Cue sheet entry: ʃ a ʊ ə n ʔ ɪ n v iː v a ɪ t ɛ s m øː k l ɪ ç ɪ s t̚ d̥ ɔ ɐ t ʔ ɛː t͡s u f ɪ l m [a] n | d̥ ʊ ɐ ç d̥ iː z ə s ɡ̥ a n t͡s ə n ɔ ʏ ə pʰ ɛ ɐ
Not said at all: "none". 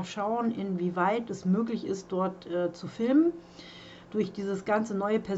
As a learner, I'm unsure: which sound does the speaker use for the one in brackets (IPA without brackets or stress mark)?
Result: ə